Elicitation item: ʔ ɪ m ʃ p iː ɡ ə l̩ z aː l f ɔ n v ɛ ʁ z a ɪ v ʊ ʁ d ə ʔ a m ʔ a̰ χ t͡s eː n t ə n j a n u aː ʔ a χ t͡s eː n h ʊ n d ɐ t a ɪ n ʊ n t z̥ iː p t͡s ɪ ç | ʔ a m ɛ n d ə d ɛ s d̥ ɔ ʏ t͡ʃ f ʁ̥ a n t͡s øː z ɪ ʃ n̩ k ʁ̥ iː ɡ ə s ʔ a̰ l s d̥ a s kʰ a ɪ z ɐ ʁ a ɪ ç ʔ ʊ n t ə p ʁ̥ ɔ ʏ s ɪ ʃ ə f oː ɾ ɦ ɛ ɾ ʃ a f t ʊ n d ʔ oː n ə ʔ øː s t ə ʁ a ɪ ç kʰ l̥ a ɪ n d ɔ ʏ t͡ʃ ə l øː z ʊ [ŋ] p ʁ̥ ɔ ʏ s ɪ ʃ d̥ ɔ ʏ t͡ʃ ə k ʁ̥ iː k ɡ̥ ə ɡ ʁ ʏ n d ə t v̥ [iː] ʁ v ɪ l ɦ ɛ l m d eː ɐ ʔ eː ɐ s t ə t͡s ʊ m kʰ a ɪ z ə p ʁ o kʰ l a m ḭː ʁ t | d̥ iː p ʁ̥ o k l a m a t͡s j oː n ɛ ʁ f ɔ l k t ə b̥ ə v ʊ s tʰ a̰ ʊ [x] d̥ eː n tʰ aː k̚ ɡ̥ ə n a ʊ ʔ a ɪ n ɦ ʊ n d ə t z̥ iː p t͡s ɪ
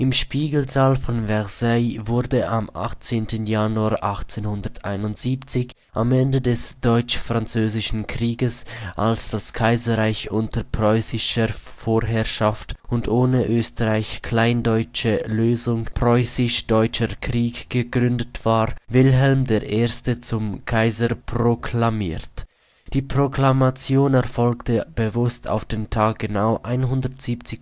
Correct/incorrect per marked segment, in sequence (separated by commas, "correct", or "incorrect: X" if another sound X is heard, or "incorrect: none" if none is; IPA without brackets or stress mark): correct, incorrect: aː, incorrect: f